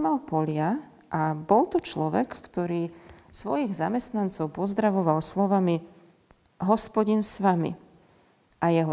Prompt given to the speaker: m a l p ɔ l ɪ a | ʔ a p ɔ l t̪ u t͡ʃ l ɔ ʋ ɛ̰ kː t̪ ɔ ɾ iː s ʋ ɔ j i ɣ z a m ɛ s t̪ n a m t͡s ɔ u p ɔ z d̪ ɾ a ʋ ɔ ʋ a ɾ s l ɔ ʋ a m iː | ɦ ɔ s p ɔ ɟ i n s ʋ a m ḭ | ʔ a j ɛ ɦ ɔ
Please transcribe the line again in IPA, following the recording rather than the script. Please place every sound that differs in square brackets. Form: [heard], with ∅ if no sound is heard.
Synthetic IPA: m a l p ɔ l ɪ a | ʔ a [b] ɔ l t̪ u t͡ʃ l ɔ ʋ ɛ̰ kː t̪ ɔ ɾ iː s ʋ ɔ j i ɣ z a m ɛ s t̪ n a [n] t͡s ɔ [ʊ] p ɔ z d̪ ɾ a ʋ ɔ ʋ a [l] s l ɔ ʋ a m [i] | ɦ ɔ s p ɔ ɟ i n s ʋ a m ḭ | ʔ a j ɛ ɦ ɔ